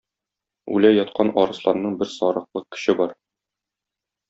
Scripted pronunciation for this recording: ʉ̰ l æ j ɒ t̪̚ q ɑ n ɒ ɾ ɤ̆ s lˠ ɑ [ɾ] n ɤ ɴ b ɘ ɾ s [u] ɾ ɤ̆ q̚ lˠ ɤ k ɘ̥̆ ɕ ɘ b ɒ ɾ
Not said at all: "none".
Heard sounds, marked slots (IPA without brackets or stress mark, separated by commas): ɾ, ɒ